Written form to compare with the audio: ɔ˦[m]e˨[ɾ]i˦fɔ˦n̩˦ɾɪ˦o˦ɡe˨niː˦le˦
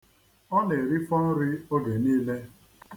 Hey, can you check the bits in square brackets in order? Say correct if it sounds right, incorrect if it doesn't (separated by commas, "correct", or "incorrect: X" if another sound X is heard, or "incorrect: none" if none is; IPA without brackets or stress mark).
incorrect: n, correct